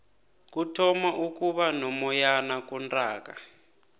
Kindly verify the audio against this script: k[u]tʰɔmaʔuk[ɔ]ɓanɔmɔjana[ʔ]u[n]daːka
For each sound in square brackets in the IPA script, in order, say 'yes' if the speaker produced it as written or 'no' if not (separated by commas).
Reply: yes, no, no, yes